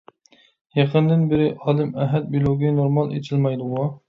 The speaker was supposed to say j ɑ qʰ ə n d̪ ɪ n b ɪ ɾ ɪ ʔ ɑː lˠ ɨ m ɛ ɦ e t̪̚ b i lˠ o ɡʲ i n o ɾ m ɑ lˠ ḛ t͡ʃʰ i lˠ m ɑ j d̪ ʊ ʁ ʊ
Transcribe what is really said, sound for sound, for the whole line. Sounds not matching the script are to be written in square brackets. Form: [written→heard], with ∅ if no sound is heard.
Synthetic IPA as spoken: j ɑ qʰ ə n d̪ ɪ n b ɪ ɾ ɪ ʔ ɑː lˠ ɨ m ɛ ɦ [e→ɛ] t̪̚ b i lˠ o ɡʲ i n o ɾ m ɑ lˠ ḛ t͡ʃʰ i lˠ m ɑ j d̪ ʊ ʁ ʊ

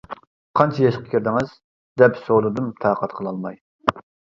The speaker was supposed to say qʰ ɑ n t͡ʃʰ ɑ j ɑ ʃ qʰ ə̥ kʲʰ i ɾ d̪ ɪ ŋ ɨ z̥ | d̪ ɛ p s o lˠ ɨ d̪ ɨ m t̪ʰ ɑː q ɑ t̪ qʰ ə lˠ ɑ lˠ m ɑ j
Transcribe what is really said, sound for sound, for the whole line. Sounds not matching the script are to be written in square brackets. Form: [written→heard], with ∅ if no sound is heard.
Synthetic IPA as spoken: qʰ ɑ n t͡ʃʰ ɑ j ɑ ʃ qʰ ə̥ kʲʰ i ɾ d̪ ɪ ŋ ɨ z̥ | d̪ ɛ p s o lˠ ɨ d̪ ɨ m t̪ʰ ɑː q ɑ t̪ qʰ ə lˠ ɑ lˠ m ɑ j

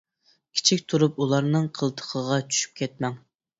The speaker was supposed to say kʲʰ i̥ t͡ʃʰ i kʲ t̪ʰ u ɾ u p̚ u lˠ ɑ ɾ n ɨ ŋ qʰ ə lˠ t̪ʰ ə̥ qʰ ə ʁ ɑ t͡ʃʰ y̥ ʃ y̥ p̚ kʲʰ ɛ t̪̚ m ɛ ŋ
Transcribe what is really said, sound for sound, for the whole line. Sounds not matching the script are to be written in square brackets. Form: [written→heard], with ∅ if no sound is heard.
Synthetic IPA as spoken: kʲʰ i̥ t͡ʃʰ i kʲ t̪ʰ u ɾ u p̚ u lˠ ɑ ɾ n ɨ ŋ qʰ ə lˠ t̪ʰ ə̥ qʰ ə ʁ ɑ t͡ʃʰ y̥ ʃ y̥ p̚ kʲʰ ɛ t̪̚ m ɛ ŋ

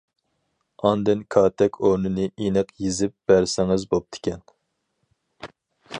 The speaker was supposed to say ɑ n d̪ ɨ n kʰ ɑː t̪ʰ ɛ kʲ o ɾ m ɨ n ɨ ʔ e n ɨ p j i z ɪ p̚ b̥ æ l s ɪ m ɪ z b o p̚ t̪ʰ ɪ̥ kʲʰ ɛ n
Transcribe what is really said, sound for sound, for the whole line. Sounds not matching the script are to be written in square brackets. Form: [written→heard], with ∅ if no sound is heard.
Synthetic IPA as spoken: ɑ n d̪ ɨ n kʰ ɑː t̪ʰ ɛ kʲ o ɾ [m→n] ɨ n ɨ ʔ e n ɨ [p→q] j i z ɪ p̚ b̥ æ [l→ɾ] s ɪ [m→ŋ] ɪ z b o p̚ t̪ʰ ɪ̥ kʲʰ ɛ n

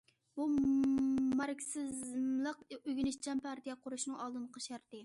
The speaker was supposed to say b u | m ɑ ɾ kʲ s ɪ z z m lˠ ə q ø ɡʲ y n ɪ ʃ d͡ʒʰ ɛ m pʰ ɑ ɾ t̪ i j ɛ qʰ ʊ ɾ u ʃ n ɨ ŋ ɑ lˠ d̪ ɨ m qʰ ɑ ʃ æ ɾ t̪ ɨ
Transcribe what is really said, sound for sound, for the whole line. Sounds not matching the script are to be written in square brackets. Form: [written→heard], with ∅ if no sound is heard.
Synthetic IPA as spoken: b u | m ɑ ɾ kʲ s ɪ z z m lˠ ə q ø ɡʲ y n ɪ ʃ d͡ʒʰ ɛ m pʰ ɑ ɾ t̪ i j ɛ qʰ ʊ ɾ u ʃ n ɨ ŋ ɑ lˠ d̪ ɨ [m→n] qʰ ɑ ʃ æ ɾ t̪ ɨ

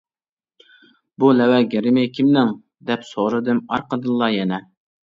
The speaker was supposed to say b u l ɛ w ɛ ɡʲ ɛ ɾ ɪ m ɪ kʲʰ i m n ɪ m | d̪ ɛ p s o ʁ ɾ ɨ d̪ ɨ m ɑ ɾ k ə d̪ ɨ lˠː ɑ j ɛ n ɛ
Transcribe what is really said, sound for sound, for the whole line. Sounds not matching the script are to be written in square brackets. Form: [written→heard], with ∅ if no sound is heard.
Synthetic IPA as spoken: b u l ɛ w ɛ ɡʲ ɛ ɾ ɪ m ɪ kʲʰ i m n ɪ [m→ŋ] | d̪ ɛ p s o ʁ ɾ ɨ d̪ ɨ m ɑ ɾ [k→q] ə d̪ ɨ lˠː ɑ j ɛ n ɛ

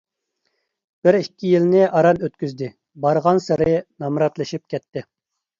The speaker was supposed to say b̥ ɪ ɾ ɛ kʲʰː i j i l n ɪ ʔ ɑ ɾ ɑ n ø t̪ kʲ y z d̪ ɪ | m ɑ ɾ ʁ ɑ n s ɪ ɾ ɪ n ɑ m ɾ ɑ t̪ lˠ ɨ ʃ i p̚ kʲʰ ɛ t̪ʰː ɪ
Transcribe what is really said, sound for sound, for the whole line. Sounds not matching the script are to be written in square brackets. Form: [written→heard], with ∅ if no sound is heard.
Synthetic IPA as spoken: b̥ ɪ ɾ [ɛ→i] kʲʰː i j i l n ɪ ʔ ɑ ɾ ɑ n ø t̪ kʲ y z d̪ ɪ | [m→b] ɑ ɾ ʁ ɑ n s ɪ ɾ ɪ n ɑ m ɾ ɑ t̪ lˠ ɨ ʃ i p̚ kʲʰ ɛ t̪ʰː ɪ

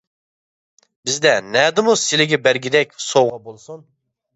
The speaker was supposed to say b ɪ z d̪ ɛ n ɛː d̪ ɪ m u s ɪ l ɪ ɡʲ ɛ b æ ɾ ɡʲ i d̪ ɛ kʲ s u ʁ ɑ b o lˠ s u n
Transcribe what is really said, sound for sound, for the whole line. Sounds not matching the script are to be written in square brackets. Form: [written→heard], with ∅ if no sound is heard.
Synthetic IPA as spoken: b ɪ z d̪ ɛ n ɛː d̪ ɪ m u s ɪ l ɪ ɡʲ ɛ b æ ɾ ɡʲ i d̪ ɛ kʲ s [u→o] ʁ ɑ b o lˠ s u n

